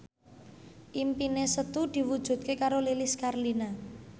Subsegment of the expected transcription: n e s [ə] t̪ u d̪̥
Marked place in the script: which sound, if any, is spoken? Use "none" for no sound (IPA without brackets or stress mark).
ə